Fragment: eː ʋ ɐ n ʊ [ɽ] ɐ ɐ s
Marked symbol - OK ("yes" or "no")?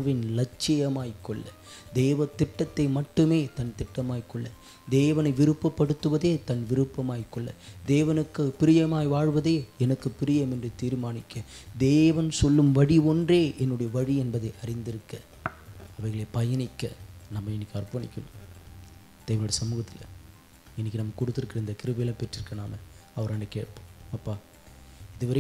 yes